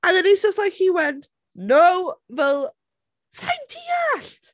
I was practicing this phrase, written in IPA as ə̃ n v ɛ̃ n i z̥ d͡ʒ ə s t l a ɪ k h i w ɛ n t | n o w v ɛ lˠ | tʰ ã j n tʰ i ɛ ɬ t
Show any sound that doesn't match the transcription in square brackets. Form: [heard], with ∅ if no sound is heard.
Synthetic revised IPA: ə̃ n [ð] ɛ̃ n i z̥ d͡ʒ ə s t l a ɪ k h i w ɛ n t | n o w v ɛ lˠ | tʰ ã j n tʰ i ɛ ɬ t